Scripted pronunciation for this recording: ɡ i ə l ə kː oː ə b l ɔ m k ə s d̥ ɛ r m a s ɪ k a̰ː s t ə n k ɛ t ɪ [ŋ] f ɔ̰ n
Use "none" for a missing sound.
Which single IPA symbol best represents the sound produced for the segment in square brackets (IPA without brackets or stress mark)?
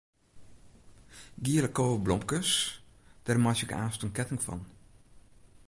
ŋ